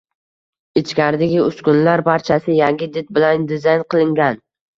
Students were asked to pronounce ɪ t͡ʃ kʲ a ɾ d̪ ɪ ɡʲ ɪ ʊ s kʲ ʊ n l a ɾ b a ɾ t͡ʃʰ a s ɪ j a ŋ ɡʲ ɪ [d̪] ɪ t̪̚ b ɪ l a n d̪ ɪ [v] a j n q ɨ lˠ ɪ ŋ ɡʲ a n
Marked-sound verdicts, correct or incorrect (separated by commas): correct, incorrect